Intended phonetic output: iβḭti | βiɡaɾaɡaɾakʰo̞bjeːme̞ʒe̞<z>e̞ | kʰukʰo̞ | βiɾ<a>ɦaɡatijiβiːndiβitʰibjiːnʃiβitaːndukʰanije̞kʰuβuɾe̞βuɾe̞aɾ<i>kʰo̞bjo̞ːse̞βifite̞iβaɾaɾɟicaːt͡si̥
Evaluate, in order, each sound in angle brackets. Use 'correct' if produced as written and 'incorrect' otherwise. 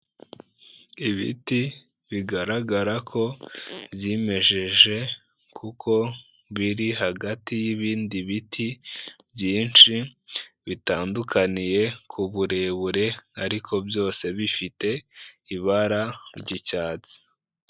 incorrect: ʒ, incorrect: i, correct

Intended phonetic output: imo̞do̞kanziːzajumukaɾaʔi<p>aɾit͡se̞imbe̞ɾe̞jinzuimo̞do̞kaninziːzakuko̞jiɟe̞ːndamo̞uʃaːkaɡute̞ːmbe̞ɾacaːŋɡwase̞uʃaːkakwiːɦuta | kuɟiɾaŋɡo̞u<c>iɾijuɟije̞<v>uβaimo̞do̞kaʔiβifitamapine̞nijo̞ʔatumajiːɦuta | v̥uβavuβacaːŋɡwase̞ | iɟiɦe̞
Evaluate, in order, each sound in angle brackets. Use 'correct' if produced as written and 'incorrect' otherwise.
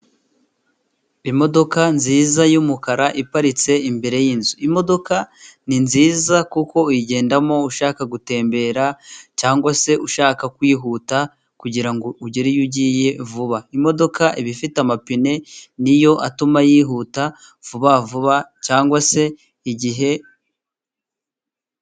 correct, incorrect: ɟ, correct

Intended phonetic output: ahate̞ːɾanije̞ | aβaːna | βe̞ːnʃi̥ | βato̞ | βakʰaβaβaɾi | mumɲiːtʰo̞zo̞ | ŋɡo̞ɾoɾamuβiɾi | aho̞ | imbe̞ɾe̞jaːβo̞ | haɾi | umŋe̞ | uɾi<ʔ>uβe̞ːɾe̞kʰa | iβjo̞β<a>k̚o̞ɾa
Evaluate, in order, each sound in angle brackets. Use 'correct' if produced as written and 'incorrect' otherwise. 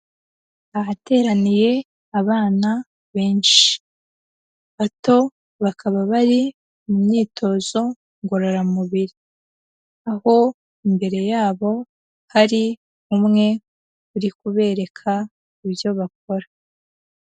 incorrect: k, correct

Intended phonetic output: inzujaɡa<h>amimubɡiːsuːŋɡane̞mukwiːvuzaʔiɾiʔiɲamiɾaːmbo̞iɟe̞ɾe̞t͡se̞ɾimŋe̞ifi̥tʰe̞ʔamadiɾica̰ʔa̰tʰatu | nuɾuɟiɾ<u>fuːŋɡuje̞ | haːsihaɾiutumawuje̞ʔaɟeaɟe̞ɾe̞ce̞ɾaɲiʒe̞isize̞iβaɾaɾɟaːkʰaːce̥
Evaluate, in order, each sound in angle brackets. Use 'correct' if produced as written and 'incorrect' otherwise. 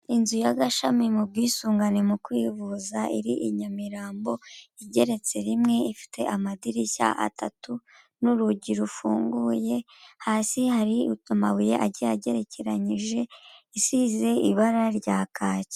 incorrect: ʃ, correct

